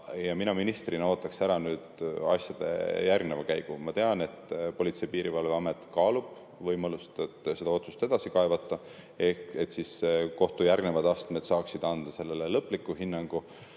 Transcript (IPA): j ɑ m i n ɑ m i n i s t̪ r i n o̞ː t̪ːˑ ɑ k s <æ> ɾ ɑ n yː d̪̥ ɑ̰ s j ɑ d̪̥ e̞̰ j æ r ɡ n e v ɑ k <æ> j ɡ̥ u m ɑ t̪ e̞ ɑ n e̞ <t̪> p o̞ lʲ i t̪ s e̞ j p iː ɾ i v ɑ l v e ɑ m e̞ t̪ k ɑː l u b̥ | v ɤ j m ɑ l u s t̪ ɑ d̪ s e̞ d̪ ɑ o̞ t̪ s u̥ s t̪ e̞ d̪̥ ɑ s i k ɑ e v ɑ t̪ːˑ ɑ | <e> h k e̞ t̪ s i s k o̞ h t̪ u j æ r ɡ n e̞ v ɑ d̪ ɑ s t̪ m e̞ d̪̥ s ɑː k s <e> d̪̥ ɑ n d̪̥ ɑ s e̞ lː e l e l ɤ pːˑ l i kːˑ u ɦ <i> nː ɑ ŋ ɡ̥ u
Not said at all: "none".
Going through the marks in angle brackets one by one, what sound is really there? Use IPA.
æ, æ, t̪, e, i, i

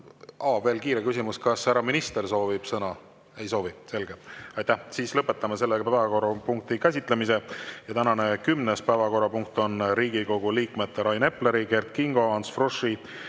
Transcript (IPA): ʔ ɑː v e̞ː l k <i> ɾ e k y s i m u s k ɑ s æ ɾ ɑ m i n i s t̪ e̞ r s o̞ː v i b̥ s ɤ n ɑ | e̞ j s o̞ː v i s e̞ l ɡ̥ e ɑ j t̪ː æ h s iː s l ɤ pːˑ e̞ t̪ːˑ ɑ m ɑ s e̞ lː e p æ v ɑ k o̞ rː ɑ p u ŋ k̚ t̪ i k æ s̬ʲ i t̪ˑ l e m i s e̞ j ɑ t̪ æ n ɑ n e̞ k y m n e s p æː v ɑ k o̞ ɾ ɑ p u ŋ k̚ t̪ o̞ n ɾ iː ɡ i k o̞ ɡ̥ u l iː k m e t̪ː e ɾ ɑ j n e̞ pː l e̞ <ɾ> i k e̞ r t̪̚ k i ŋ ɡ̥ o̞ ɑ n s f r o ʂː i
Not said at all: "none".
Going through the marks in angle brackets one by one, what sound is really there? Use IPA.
iː, ɾ

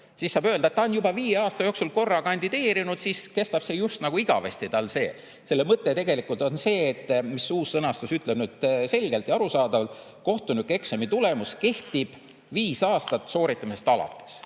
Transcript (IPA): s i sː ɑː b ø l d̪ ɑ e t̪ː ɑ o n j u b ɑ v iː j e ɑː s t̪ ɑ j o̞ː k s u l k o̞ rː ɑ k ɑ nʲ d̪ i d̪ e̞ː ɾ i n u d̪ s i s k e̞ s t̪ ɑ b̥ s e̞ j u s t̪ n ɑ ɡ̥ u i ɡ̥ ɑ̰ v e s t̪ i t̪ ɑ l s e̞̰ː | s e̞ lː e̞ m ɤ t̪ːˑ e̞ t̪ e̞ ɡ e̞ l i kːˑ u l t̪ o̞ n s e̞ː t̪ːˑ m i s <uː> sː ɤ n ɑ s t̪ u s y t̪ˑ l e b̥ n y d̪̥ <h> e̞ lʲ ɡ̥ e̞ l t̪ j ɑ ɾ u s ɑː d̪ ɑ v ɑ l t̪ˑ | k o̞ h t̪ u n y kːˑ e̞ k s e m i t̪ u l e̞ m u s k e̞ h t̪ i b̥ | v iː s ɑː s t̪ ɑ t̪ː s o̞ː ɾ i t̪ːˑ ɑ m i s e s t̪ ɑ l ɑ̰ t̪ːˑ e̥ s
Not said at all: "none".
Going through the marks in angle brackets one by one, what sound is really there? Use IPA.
uː, s

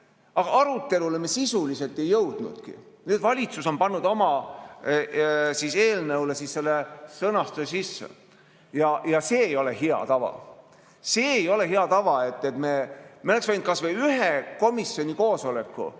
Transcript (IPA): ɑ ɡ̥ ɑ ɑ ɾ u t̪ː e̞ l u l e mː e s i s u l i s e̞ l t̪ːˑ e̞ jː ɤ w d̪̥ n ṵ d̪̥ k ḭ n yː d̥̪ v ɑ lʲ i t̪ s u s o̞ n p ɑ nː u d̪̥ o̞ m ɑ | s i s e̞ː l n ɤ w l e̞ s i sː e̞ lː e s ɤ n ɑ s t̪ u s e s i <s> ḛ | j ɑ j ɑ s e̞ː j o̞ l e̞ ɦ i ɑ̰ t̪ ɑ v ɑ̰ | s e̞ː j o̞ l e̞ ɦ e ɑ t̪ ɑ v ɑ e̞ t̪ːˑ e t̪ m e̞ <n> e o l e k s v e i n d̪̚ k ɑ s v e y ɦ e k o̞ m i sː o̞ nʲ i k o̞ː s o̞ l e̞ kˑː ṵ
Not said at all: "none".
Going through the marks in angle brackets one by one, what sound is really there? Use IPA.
sː, m

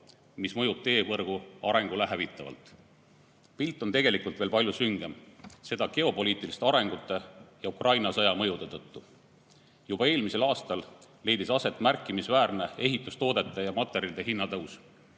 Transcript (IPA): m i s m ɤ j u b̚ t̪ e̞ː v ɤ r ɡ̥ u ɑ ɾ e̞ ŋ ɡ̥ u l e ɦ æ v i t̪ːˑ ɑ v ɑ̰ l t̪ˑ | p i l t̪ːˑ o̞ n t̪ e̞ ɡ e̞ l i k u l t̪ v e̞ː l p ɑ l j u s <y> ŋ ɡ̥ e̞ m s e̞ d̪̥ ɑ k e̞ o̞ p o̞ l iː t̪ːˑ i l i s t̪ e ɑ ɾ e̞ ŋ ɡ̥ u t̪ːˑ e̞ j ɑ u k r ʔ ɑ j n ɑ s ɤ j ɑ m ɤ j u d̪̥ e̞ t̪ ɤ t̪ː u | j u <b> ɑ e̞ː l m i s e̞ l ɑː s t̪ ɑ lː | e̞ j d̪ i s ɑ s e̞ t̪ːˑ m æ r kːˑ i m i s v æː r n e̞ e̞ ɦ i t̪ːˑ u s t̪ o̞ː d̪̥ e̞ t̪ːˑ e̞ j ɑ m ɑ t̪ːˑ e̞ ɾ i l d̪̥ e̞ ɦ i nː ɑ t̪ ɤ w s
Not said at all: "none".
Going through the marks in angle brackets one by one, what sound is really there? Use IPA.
y, b

